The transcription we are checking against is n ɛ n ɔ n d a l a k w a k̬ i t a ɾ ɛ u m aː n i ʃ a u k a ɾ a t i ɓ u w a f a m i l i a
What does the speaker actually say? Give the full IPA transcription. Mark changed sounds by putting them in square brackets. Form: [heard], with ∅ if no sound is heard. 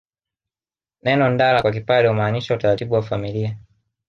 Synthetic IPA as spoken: n ɛ n ɔ n d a l a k w a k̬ i [p] a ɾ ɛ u m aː n i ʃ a u [t] a ɾ a t i ɓ u w a f a m i l i a